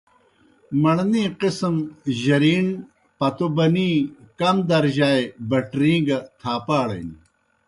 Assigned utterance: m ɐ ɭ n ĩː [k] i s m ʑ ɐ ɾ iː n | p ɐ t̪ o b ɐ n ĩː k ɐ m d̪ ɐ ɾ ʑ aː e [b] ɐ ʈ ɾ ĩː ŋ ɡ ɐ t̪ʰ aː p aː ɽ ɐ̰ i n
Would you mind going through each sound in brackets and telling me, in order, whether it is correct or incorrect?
incorrect: q, correct

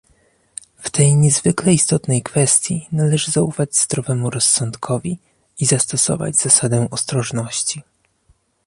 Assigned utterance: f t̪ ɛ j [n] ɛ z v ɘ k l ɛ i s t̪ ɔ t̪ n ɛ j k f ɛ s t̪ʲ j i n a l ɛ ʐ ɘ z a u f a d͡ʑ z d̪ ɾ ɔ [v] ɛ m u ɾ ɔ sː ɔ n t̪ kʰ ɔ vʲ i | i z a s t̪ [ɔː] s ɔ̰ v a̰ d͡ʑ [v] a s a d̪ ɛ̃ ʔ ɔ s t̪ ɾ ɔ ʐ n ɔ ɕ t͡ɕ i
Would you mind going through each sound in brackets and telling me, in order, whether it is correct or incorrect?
incorrect: ɲ, correct, incorrect: ɔ, incorrect: z

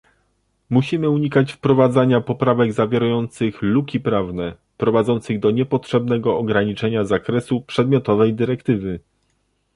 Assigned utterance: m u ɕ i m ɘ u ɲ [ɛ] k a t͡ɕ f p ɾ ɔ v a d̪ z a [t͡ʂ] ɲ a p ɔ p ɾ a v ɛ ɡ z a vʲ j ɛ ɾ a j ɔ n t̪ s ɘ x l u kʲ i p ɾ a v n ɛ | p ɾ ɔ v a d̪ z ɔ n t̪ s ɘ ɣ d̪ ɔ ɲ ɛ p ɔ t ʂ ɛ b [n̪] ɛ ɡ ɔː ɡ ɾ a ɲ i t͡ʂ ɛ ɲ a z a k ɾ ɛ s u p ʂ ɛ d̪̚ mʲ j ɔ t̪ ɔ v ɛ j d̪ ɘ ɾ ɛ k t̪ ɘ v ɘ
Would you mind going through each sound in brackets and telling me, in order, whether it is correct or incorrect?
incorrect: i, incorrect: none, correct

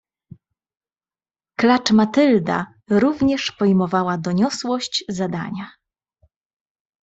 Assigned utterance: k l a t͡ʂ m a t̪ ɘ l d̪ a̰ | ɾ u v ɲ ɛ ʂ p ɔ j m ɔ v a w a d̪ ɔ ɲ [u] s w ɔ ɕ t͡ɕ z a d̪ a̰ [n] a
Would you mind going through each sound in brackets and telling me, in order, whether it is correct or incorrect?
incorrect: ɔ, incorrect: ɲ

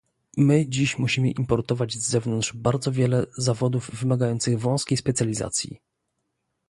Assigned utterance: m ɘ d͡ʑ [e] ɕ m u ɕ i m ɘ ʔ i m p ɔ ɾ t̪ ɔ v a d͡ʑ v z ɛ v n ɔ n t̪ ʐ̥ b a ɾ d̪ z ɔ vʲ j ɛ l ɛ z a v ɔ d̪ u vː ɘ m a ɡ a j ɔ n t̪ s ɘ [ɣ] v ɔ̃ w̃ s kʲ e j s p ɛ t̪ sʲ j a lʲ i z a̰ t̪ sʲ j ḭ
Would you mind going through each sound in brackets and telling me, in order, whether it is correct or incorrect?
incorrect: i, correct

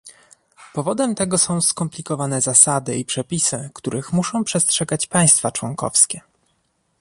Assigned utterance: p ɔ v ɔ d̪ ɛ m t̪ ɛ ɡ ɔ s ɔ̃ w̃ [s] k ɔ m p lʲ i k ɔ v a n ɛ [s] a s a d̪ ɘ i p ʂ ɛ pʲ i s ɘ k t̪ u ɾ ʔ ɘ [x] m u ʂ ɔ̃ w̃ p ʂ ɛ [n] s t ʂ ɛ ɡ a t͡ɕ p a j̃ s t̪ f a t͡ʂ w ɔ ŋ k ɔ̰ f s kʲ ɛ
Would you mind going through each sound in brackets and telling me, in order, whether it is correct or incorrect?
correct, incorrect: z, correct, incorrect: none

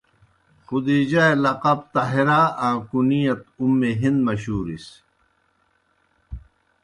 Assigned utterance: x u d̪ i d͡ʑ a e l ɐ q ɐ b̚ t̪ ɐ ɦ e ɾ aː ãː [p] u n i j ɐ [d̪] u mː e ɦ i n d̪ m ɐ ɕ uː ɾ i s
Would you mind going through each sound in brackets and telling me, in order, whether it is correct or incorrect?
incorrect: k, incorrect: t̪

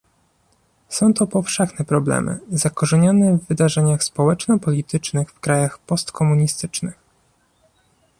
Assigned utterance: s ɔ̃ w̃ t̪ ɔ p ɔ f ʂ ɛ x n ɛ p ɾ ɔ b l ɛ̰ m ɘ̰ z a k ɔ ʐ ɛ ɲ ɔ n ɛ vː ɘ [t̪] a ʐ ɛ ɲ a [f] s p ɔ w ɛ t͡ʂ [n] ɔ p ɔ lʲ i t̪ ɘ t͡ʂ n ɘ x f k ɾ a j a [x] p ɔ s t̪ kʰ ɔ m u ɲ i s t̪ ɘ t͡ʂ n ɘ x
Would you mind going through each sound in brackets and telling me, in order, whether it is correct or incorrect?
incorrect: d̪, incorrect: x, correct, correct

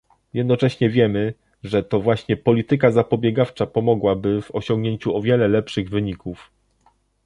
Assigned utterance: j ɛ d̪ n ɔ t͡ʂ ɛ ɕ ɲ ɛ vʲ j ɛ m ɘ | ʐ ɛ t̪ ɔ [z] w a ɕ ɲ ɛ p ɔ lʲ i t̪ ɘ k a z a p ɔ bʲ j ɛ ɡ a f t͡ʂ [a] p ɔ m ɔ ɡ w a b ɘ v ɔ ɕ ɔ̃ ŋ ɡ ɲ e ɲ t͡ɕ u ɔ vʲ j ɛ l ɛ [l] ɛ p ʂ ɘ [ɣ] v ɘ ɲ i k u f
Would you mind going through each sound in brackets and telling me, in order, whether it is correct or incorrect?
incorrect: v, correct, correct, correct

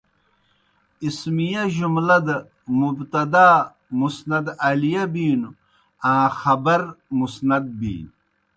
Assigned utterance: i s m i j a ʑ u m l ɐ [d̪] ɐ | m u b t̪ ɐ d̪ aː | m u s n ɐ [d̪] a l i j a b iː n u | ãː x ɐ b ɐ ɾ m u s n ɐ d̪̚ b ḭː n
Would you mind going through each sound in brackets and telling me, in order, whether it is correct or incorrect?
correct, correct

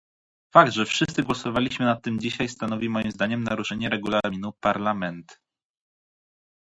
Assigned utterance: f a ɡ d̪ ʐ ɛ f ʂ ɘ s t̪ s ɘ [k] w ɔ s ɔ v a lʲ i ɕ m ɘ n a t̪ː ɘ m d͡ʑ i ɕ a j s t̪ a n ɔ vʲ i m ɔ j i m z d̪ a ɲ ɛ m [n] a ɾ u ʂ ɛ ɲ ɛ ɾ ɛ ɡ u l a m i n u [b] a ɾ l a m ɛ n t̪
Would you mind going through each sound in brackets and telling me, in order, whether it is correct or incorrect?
incorrect: ɡ, correct, incorrect: p

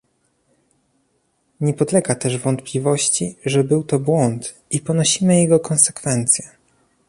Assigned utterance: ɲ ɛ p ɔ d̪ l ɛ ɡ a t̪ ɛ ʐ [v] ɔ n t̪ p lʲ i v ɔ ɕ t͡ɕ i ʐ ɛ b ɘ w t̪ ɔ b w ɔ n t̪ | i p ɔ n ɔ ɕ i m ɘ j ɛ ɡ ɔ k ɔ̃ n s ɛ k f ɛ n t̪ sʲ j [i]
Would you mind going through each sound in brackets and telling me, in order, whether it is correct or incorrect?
correct, incorrect: ɛ

